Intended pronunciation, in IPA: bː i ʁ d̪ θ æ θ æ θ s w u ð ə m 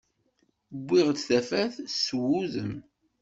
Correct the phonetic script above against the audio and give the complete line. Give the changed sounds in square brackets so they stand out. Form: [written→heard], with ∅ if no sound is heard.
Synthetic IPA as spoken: bː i ʁ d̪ θ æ [θ→f] æ θ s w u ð ə m